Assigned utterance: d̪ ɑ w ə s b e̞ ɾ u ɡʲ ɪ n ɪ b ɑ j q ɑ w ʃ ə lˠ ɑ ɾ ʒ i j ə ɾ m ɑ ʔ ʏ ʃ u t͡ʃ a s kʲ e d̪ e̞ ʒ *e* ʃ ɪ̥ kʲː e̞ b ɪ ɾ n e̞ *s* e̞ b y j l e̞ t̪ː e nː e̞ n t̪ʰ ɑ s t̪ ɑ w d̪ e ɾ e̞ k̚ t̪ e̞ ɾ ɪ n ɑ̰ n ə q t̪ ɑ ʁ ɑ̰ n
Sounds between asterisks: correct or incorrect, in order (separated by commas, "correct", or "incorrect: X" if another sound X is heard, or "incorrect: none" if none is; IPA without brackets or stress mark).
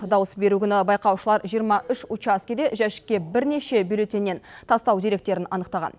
incorrect: æ, incorrect: ʃ